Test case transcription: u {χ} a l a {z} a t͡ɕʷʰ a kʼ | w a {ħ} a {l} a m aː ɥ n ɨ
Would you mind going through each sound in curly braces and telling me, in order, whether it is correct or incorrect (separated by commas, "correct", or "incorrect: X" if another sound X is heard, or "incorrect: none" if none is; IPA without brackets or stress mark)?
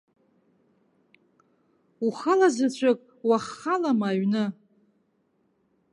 correct, correct, incorrect: χ, correct